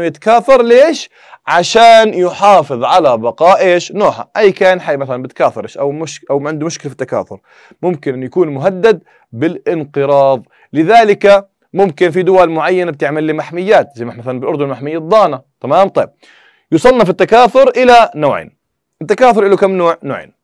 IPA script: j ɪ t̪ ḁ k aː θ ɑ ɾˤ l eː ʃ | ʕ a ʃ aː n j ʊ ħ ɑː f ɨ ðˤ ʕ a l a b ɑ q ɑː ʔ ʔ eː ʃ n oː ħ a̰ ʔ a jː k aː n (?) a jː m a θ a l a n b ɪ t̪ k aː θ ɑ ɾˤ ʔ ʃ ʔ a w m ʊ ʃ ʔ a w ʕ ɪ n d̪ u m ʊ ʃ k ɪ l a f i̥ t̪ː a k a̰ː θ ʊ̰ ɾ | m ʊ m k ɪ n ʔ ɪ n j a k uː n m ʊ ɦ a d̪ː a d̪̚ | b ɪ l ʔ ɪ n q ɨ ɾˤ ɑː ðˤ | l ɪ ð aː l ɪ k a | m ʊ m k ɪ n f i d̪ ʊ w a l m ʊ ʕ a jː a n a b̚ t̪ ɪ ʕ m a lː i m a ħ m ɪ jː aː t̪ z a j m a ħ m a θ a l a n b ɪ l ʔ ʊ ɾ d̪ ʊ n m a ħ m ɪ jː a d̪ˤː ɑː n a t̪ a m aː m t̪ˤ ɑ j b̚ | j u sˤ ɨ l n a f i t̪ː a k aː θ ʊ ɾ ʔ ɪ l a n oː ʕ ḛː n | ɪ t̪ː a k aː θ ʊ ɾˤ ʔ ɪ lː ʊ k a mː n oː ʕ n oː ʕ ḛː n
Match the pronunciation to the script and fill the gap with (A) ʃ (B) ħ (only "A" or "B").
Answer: B